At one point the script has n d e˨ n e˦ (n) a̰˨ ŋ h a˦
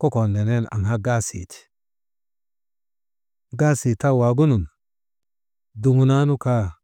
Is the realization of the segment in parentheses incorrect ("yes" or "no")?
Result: no